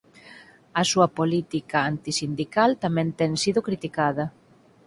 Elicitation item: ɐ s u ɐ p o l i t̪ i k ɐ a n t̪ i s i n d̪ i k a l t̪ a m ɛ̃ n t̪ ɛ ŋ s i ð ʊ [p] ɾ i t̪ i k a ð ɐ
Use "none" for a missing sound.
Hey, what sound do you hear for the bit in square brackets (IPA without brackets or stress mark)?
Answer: k